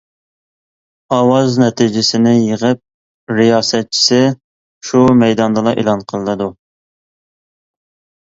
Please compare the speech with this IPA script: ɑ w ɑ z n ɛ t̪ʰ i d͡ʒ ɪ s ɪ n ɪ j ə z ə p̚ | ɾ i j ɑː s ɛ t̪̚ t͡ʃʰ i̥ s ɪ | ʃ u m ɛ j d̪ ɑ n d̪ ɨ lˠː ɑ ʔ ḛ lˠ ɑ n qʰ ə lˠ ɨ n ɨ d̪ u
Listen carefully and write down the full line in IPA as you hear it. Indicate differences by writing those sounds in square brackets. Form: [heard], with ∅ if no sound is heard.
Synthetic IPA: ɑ w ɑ z n ɛ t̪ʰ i d͡ʒ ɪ s ɪ n ɪ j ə [ʁ] ə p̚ | ɾ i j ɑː s ɛ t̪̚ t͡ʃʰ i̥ s ɪ | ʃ u m ɛ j d̪ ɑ n d̪ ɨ [lˠ] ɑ ʔ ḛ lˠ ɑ n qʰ ə lˠ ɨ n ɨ d̪ u